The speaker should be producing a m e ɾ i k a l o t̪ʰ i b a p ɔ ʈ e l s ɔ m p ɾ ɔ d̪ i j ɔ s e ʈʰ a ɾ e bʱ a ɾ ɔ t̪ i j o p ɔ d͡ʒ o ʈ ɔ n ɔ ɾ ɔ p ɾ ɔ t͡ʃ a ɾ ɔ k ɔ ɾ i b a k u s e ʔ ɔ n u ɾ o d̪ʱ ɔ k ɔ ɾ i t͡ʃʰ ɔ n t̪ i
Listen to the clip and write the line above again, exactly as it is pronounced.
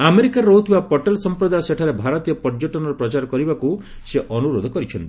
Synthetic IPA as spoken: a m e ɾ i k a ɾ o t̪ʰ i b a p ɔ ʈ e l s ɔ m p ɾ ɔ d̪ a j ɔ s e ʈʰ a ɾ e bʱ a ɾ ɔ t̪ i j ɔ p ɔ d͡ʒ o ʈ ɔ n ɔ ɾ ɔ p ɾ ɔ t͡ʃ a ɾ ɔ k ɔ ɾ i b a k u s e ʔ ɔ n u ɾ o d̪ʱ ɔ k ɔ ɾ i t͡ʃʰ ɔ n t̪ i

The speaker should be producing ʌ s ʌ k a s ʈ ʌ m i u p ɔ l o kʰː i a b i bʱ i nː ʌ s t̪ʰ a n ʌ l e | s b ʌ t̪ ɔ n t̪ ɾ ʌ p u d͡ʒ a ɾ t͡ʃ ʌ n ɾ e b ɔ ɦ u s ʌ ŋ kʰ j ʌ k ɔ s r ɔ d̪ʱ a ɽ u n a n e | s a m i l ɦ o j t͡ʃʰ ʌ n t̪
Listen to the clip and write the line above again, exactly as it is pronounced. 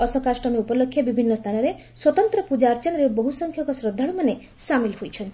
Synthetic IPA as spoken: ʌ s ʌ k a s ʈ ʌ m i u p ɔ l o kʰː j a b i bʱ i nː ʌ s t̪ʰ a n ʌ ɾ e | s w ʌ t̪ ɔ n t̪ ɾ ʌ p u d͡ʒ a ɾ t͡ʃ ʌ n ɾ e b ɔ ɦ u s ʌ ŋ kʰ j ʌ k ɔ s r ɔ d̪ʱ a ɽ u m a n e | s a m i l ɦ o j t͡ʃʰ ʌ n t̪

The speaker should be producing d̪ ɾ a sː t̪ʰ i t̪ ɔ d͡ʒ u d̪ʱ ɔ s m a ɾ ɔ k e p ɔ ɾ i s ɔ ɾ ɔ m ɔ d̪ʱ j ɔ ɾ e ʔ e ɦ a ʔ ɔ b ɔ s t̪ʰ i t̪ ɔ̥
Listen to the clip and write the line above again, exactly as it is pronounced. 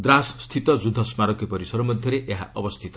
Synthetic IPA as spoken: d̪ ɾ a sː t̪ʰ i t̪ ɔ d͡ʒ u d̪ʱ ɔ s m a ɾ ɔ k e p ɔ ɾ i s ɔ ɾ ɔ m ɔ d̪ʱ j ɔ ɾ e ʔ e ɦ a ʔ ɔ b ɔ s t̪ʰ i t̪ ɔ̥

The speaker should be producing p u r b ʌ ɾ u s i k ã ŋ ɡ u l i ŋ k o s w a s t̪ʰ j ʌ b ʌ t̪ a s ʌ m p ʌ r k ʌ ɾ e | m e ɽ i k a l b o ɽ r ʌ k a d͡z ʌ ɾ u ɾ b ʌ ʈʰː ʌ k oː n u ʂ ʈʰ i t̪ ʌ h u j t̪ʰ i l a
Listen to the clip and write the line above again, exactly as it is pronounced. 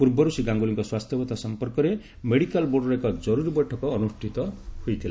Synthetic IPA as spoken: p u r b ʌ ɾ u s i ɡ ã ŋ ɡ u l i ŋ k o s w a s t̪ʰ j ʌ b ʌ t̪ a s ʌ m p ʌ r k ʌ ɾ e | m e ɽ i k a l b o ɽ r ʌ k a d͡z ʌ ɾ u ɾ b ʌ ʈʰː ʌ k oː n u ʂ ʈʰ i t̪ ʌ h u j t̪ʰ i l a

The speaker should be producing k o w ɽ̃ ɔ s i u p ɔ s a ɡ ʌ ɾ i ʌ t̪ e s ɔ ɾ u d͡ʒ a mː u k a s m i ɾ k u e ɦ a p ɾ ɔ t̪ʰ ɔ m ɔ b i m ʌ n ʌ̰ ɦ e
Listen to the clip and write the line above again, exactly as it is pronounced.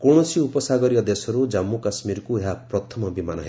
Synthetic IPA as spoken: k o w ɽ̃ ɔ s i u p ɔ s a ɡ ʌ ɾ i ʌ d̪ e s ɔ ɾ u d͡ʒ a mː u k a s m i ɾ k u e ɦ a p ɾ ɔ t̪ʰ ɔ m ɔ b i m a n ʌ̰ ɦ e

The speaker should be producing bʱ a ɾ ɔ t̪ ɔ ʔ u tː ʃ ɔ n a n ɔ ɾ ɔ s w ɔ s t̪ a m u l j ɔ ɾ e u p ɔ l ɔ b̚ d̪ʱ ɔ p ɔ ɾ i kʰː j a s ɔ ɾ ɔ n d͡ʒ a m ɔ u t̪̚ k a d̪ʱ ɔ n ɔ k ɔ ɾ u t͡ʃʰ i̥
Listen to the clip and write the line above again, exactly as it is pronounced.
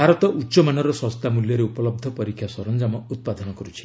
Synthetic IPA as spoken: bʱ a ɾ ɔ t̪ ɔ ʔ u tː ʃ ɔ m a n ɔ ɾ ɔ s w ɔ s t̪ a m u l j ɔ ɾ e u p ɔ l ɔ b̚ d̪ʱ ɔ p ɔ ɾ i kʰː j a s ɔ ɾ ɔ n d͡ʒ a m ɔ u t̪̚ p a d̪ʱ ɔ n ɔ k ɔ ɾ u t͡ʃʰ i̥

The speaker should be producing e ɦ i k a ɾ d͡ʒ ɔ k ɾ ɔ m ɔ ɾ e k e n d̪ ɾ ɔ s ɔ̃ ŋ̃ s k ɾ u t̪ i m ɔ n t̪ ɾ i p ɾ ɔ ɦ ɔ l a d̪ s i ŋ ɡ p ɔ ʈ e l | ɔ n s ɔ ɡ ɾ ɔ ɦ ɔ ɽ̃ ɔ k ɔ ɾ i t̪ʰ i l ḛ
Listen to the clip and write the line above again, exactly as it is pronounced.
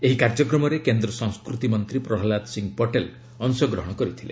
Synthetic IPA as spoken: e ɦ i k a ɾ d͡ʒ ɔ k ɾ ɔ m ɔ ɾ e k e n d̪ ɾ ɔ s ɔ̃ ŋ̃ s k ɾ u t̪ i m ɔ n t̪ ɾ i p ɾ ɔ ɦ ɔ l a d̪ s i ŋ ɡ p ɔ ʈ e l | ɔ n s ɔ ɡ ɾ ɔ ɦ ɔ ɽ̃ ɔ k ɔ ɾ i t̪ʰ i l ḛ

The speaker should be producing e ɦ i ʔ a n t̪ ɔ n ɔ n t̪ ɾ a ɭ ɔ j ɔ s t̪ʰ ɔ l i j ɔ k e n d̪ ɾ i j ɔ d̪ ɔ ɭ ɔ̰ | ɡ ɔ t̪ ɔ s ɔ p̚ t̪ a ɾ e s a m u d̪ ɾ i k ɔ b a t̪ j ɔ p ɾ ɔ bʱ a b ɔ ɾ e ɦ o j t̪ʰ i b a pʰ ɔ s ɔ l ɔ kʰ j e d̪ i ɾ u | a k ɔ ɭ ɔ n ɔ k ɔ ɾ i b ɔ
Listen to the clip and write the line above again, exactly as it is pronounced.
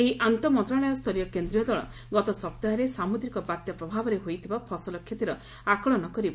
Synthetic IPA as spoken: e ɦ i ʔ a n t̪ ɔ m ɔ n t̪ ɾ a ɭ ɔ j ɔ s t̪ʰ ɔ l i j ɔ k e n d̪ ɾ i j ɔ d̪ ɔ ɭ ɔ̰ | ɡ ɔ t̪ ɔ s ɔ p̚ t̪ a ɾ e s a m u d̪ ɾ i k ɔ b a t̪ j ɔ p ɾ ɔ bʱ a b ɔ ɾ e ɦ o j t̪ʰ i b a pʰ ɔ s ɔ l ɔ kʰ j e t̪ i ɾ ɔ | a k ɔ ɭ ɔ n ɔ k ɔ ɾ i b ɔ

